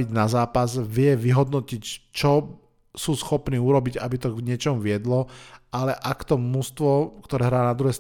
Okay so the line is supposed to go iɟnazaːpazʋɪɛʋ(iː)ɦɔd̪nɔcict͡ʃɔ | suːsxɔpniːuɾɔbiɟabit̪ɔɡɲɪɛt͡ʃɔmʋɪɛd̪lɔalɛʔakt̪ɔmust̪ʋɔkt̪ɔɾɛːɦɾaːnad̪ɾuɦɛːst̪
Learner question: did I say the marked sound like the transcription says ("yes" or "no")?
no